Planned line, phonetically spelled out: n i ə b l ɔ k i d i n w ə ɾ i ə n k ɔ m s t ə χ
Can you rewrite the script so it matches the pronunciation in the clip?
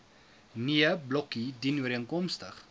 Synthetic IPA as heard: n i ə b l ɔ k i d i n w ə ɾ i ə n k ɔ m s t ə χ